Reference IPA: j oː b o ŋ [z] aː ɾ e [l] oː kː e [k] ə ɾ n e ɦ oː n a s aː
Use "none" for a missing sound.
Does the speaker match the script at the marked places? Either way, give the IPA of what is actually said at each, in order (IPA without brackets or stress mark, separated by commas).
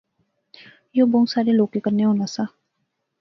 s, l, k